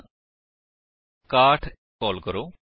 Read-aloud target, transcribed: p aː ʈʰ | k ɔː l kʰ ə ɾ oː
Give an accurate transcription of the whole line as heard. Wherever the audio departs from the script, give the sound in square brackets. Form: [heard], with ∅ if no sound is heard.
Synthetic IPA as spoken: [k] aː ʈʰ | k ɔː l [k] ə ɾ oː

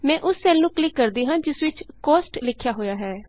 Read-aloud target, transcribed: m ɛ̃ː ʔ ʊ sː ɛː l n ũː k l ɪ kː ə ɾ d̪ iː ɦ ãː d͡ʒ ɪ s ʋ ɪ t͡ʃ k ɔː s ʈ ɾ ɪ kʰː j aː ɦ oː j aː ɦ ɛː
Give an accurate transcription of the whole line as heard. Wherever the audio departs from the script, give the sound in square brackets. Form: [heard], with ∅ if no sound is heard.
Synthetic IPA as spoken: m ɛ̃ː ʔ ʊ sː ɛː l n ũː k l ɪ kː ə ɾ d̪ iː ɦ ãː d͡ʒ ɪ s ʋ ɪ t͡ʃ k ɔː s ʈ [l] ɪ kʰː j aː ɦ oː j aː ɦ ɛː

